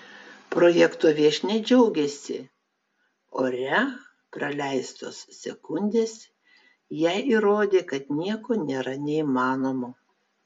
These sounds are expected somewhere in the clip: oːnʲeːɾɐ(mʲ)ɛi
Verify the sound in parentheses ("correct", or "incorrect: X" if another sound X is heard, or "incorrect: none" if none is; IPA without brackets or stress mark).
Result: incorrect: nʲ